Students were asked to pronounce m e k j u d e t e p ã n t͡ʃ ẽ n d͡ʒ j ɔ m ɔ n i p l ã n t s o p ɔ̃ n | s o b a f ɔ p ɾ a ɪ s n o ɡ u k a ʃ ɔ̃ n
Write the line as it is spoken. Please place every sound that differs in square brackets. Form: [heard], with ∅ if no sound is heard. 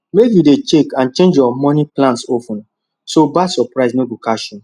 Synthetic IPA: m e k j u d e [t͡ʃ] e [k] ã n t͡ʃ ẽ n d͡ʒ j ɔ m ɔ n i p l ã n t s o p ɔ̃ n | s o b a [s] ɔ p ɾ a ɪ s n o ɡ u k a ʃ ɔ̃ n